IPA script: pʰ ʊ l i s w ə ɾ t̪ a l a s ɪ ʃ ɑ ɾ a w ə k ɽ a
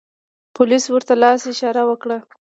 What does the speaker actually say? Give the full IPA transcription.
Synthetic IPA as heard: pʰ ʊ l i s w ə ɾ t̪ a l ɑ s ɪ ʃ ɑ ɾ a w ə k ɽ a